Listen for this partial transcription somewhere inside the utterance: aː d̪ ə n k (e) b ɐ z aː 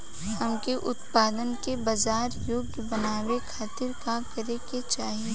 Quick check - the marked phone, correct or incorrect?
correct